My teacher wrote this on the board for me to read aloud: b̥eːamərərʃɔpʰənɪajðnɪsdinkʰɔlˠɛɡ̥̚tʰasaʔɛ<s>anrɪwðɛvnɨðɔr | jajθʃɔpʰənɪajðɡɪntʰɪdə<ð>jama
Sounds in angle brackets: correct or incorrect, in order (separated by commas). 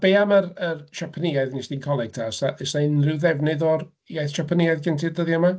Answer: correct, correct